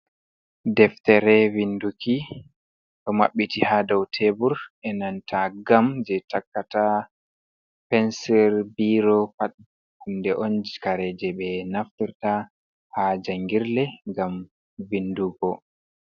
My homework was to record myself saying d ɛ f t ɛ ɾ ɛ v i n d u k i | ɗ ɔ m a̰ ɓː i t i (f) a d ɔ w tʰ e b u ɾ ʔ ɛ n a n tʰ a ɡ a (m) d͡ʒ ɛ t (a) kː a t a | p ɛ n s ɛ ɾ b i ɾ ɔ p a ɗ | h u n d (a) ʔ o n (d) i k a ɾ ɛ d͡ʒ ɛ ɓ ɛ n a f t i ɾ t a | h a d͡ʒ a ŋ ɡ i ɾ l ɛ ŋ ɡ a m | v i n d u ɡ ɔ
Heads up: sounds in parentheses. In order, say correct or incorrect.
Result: incorrect: h, correct, correct, incorrect: ɛ, incorrect: d͡ʒ

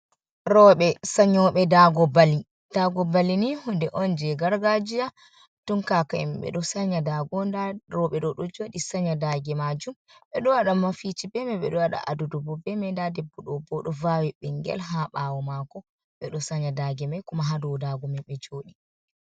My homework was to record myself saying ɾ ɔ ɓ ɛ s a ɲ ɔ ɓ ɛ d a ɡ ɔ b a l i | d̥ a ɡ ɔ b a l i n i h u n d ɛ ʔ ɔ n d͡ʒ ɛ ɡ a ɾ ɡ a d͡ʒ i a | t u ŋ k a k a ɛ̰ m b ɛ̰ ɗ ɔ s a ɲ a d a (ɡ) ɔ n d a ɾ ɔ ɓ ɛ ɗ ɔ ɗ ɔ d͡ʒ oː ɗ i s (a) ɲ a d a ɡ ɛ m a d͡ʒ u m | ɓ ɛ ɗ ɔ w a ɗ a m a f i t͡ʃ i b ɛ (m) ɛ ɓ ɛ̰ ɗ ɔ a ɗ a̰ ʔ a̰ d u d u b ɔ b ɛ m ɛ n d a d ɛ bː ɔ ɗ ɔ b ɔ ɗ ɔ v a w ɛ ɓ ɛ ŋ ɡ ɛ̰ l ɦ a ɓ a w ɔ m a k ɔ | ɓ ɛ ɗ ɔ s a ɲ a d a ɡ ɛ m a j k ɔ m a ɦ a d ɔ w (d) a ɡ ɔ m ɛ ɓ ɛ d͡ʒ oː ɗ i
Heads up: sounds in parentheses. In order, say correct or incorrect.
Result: correct, correct, correct, correct

